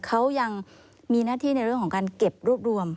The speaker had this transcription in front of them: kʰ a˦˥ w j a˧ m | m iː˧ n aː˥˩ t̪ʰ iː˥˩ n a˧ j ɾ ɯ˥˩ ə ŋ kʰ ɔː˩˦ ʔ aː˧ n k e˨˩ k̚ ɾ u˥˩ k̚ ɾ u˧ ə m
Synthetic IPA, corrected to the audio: kʰ a˦˥ w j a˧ ŋ | m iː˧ n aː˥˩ t̪ʰ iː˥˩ n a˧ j ɾ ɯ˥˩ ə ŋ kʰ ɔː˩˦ k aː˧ n k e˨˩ p̚ ɾ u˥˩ p̚ ɾ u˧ ə m